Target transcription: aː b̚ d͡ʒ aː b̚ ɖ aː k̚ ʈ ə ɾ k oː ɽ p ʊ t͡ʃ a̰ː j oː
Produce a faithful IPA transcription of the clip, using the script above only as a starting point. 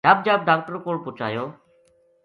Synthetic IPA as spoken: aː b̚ d͡ʒ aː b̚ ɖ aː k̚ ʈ ə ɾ k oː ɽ p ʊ t͡ʃ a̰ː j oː